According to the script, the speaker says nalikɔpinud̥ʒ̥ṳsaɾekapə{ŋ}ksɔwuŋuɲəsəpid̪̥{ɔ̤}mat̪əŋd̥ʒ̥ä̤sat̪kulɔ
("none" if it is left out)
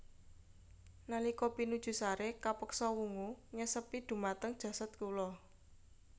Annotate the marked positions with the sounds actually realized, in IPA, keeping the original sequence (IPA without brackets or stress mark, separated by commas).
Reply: none, ṳ